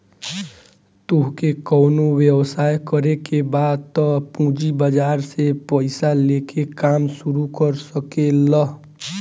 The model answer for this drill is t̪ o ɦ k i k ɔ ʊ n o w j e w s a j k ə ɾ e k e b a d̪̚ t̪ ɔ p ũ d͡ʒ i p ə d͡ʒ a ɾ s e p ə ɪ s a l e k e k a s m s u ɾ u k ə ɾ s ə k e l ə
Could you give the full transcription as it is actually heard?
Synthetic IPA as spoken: t̪ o ɦ k e k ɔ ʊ n o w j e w s a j k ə ɾ e k e b a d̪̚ t̪ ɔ p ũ d͡ʒ i b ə d͡ʒ a ɾ s e p ə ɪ s a l e k e k a m s u ɾ u k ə ɾ s ə k e l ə